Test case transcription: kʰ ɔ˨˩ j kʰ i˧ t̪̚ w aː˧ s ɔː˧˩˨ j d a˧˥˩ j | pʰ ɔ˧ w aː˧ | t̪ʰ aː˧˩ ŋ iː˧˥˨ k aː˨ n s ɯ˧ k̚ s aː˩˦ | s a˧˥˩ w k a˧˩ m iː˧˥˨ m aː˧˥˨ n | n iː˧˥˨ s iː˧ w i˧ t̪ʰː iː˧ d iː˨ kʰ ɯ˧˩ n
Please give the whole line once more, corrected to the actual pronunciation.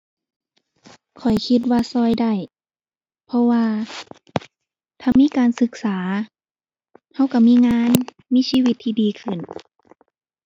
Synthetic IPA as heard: kʰ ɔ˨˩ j kʰ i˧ t̪̚ w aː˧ s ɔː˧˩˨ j d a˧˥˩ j | pʰ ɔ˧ w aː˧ | t̪ʰ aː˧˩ m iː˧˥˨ k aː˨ n s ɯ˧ k̚ s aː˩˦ | h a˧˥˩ w k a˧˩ m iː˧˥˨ ŋ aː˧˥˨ n | m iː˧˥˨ s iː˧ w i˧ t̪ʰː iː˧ d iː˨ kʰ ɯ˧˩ n